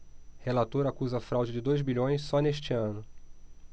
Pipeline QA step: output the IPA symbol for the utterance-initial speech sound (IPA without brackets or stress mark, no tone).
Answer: h